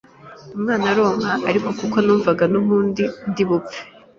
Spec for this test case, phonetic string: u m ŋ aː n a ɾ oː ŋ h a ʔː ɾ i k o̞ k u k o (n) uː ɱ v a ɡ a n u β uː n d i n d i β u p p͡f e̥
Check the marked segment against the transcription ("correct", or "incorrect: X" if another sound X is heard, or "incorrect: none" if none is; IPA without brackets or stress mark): correct